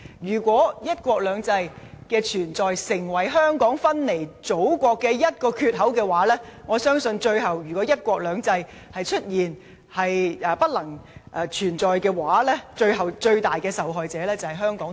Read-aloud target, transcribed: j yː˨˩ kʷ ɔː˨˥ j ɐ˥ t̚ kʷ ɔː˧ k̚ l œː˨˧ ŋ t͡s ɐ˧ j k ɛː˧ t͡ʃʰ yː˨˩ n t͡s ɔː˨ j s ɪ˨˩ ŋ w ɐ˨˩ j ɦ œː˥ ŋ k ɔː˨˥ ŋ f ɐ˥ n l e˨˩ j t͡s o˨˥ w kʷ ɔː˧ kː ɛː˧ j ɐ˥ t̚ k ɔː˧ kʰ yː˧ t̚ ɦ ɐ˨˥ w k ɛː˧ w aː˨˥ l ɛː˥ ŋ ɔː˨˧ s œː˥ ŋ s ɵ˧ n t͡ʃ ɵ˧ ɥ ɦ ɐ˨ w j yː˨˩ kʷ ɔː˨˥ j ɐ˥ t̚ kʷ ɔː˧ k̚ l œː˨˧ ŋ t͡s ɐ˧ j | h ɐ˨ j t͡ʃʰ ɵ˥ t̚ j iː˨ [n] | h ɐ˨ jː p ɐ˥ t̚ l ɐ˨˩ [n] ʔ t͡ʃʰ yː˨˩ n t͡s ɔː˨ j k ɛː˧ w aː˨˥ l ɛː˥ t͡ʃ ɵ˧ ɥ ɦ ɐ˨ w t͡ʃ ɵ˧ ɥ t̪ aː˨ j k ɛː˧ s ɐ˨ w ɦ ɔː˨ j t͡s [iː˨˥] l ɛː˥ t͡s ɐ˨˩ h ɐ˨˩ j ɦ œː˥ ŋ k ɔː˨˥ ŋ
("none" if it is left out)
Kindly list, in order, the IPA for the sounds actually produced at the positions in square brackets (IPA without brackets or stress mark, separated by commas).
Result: n, ŋ, ɛː˨˥